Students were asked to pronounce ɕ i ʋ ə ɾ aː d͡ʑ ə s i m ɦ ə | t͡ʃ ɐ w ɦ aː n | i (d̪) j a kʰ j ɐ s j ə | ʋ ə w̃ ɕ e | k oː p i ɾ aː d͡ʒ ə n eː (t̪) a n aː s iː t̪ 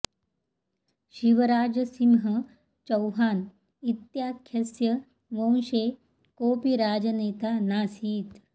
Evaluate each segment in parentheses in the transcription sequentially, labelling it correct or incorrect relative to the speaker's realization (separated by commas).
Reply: incorrect, correct